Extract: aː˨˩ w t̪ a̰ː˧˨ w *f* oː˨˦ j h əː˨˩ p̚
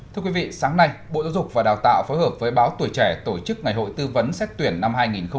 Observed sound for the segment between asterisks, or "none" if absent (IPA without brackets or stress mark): f